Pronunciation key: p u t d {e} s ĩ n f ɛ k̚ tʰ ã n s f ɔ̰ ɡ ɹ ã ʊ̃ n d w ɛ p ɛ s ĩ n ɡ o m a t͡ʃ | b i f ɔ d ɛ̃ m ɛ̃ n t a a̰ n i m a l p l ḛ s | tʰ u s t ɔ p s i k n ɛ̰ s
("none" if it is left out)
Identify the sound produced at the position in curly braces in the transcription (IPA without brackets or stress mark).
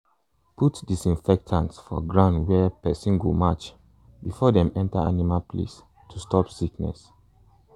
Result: i